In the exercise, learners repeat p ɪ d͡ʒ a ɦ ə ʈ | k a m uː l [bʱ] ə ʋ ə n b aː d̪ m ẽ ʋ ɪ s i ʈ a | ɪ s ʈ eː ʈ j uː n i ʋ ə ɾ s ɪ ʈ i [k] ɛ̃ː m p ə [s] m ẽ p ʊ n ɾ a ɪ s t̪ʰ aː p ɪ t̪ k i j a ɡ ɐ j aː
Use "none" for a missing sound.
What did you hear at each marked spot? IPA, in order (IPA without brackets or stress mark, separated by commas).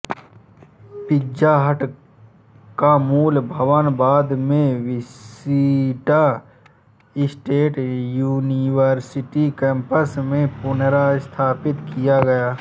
bʱ, k, s